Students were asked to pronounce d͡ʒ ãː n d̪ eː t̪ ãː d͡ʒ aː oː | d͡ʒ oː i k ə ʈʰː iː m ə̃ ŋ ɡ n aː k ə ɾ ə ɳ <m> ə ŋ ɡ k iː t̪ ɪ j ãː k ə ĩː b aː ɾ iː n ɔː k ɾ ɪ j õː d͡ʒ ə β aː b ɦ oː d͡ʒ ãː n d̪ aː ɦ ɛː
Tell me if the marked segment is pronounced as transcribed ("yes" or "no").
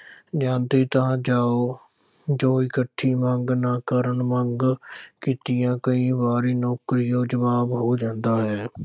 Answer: yes